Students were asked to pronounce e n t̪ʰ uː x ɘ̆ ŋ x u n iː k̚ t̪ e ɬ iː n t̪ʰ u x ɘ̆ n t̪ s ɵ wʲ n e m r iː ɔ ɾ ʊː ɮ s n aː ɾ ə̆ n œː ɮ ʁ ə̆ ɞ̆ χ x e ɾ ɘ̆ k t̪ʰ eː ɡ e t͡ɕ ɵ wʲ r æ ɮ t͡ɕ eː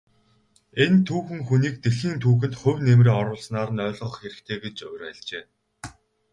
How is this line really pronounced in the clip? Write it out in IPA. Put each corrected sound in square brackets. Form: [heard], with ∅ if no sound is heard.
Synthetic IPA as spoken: e n t̪ʰ uː x ɘ̆ ŋ x u n iː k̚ t̪ e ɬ iː n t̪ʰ [uː] x ɘ̆ n t̪ [χ] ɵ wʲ n e m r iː ɔ ɾ ʊː ɮ s n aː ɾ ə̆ n œː ɮ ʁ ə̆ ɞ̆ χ x e ɾ ɘ̆ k t̪ʰ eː ɡ e t͡ɕ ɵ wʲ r æ ɮ t͡ɕ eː